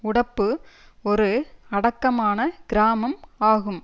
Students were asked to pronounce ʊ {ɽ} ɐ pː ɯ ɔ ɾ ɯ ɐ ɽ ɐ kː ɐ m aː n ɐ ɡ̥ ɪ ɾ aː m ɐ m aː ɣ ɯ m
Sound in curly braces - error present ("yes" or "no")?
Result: no